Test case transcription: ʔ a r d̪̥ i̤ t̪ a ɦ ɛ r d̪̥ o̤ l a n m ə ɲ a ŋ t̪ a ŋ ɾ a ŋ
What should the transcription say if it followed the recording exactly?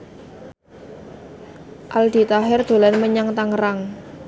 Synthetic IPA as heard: ʔ a l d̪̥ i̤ t̪ a ɦ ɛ r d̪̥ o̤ l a n m ə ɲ a ŋ t̪ a ŋ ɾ a ŋ